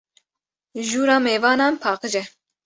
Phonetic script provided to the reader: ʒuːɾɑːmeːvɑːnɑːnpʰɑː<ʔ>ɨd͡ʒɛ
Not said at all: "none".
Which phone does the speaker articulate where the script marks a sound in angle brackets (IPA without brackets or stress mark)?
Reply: q